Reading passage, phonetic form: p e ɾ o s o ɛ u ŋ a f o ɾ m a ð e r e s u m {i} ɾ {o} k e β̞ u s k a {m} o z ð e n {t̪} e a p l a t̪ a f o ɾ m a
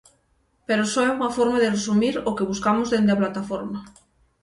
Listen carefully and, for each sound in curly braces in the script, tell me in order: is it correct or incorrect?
correct, correct, correct, incorrect: d̪

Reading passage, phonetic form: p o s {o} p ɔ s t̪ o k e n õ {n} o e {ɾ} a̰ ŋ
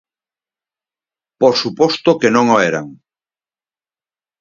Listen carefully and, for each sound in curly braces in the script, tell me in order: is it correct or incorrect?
incorrect: u, incorrect: ŋ, correct

